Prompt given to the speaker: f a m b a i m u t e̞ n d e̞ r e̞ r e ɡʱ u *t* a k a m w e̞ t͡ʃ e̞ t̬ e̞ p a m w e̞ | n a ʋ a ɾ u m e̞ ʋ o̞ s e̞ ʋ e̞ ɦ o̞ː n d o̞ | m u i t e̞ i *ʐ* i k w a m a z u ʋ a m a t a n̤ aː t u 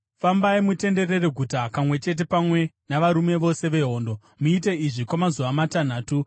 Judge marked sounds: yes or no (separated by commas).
yes, yes